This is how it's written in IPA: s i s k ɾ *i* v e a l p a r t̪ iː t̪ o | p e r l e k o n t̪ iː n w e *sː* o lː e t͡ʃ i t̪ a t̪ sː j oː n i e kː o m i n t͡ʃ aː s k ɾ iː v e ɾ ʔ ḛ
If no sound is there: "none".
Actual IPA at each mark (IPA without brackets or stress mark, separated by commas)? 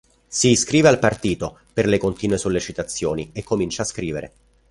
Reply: iː, s